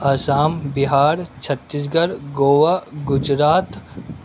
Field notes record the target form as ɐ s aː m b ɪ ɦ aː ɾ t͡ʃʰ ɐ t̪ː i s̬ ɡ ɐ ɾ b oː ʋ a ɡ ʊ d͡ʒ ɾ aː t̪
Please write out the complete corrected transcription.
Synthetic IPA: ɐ s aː m b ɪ ɦ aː ɾ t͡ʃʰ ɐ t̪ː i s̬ ɡ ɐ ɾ ɡ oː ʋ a ɡ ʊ d͡ʒ ɾ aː t̪